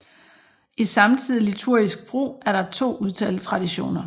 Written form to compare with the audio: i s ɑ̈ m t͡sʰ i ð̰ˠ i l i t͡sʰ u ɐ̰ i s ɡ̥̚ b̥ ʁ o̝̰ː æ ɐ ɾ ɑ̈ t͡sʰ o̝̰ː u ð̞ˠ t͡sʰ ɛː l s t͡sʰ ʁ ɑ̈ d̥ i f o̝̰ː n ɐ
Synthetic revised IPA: i s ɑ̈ m t͡sʰ i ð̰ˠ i l i t͡sʰ u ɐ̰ i s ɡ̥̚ b̥ ʁ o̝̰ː æ ɐ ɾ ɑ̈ t͡sʰ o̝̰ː u ð̞ˠ t͡sʰ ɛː l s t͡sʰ ʁ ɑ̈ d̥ i ɕ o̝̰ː n ɐ